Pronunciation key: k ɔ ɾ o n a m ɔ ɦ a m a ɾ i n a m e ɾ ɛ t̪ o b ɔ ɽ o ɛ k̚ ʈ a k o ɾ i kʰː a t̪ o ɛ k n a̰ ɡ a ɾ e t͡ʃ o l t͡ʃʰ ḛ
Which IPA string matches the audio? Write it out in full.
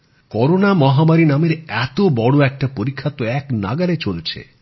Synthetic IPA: k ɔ ɾ o n a m ɔ ɦ a m a ɾ i n a m e ɾ ɛ t̪ o b ɔ ɽ o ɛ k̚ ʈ a p o ɾ i kʰː a t̪ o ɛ k n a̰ ɡ a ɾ e t͡ʃ o l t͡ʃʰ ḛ